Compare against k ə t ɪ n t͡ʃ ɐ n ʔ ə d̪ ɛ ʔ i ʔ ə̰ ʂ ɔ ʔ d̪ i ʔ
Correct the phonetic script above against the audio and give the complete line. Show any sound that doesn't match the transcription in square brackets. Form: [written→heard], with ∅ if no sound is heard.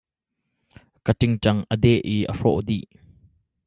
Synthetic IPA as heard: k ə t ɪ [n→ŋ] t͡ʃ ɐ [n→ŋ] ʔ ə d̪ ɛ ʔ i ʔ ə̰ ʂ ɔ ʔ d̪ i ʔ